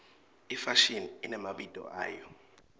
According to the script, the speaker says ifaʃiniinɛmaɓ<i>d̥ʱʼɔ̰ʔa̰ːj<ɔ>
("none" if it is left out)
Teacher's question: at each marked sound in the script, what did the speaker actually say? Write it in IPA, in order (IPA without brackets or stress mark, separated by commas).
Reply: i, ɔ